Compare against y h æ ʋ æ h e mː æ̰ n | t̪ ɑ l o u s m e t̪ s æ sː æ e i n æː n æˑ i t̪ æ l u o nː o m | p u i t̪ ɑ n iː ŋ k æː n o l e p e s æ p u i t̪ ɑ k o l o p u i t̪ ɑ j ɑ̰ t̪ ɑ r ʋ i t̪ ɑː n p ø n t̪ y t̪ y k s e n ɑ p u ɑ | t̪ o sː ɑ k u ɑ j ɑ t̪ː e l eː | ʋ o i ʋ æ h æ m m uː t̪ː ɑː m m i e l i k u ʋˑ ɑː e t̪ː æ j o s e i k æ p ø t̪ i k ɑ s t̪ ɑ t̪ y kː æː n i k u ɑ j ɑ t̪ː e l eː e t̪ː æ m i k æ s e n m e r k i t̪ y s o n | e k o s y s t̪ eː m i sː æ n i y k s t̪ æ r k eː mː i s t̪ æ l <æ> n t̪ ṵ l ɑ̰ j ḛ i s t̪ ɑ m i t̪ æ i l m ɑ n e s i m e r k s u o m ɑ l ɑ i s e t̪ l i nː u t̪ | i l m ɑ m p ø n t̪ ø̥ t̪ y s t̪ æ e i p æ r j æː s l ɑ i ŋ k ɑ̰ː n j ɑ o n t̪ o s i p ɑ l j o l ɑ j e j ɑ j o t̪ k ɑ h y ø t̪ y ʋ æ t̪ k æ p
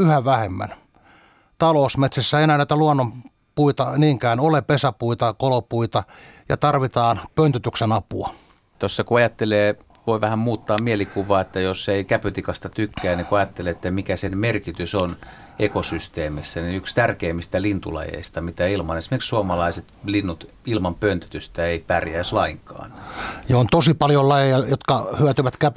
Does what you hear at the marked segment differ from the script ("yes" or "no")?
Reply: yes